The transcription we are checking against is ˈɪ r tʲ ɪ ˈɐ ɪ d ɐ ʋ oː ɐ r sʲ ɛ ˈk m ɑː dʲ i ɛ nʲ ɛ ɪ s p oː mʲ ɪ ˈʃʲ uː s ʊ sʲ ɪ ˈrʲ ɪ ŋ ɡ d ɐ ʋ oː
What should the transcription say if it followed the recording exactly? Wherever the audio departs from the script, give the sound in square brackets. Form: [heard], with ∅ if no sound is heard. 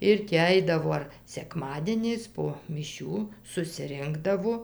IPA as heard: ˈɪ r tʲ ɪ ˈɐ ɪ d ɐ ʋ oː ɐ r sʲ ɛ ˈk m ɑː dʲ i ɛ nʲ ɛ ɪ s p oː mʲ ɪ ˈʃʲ uː s ʊ sʲ ɪ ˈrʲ ɪ ŋ ɡ d ɐ ʋ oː